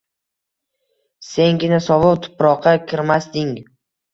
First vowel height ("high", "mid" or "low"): mid